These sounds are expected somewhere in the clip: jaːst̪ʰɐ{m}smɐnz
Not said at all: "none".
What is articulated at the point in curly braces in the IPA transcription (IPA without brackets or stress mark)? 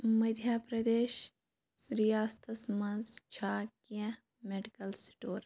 none